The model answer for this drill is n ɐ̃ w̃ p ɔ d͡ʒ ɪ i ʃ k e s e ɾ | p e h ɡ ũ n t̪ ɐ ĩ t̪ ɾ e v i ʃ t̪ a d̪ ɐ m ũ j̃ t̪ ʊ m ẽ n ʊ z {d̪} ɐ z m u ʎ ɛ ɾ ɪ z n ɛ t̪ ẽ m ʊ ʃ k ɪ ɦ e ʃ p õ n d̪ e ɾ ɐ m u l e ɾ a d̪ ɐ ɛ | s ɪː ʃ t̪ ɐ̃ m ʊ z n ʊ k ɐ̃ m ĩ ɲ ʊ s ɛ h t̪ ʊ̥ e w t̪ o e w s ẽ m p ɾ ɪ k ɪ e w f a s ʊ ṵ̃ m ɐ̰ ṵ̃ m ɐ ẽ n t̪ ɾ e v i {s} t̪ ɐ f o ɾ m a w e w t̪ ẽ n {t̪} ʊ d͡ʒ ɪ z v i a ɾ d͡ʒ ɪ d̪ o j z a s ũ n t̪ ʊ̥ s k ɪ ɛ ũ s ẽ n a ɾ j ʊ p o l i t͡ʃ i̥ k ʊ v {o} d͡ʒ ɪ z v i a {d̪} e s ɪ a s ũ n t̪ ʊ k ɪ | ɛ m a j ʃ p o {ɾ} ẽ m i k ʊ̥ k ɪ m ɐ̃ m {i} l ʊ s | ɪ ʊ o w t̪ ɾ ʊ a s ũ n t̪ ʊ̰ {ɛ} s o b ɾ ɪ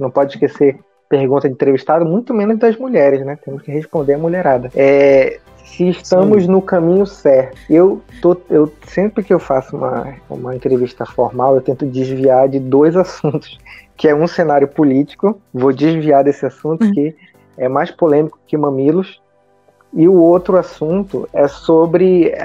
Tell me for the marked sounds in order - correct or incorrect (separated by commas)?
correct, incorrect, correct, correct, correct, incorrect, correct, correct